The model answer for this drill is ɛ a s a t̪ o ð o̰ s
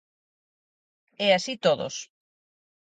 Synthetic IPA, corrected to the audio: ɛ a s i t̪ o ð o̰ s